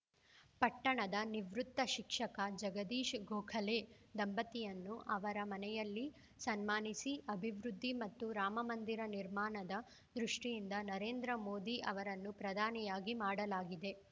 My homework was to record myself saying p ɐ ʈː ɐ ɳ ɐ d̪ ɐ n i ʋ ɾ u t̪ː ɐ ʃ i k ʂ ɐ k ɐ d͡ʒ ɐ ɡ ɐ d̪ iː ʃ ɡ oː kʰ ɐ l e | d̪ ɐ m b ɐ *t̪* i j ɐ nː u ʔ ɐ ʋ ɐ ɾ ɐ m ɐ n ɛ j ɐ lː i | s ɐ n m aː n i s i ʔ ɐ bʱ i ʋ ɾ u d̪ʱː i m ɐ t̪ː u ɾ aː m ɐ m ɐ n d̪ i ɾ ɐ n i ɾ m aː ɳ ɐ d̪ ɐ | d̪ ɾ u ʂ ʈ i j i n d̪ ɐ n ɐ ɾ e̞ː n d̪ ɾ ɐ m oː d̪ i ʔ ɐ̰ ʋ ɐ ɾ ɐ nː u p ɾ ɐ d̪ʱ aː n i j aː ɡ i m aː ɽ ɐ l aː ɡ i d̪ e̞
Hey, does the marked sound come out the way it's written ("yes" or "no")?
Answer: yes